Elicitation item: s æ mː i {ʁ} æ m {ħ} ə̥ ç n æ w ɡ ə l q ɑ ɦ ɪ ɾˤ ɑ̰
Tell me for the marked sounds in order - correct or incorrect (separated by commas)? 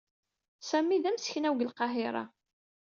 incorrect, incorrect